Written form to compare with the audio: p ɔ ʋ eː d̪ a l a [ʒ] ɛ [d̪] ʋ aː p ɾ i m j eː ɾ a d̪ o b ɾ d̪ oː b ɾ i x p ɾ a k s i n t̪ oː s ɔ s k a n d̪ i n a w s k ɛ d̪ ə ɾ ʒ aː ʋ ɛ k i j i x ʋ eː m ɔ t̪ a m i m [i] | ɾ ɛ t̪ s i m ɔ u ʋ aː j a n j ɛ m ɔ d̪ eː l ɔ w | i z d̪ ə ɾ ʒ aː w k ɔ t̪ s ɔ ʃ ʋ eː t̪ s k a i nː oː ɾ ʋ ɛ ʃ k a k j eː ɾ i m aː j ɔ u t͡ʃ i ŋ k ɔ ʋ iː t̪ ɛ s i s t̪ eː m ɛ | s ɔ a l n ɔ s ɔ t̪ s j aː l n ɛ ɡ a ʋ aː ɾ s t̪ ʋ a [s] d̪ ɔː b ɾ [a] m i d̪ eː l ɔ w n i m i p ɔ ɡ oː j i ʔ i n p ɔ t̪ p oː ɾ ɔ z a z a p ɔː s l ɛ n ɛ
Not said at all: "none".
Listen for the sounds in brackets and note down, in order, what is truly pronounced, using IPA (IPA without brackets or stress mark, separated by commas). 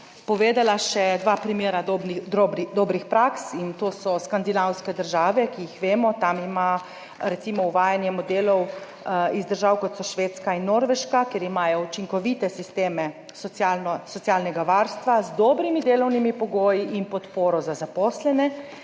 ʃ, d̪, a, z, i